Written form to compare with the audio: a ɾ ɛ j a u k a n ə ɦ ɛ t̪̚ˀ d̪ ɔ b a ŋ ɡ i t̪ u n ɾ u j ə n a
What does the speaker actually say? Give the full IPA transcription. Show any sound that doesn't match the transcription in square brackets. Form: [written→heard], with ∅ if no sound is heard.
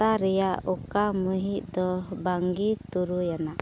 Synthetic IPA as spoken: a ɾ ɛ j a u k a [n→m] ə ɦ [ɛ→i] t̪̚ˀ d̪ ɔ b a ŋ ɡ i t̪ u [n→∅] ɾ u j [ə→a] n a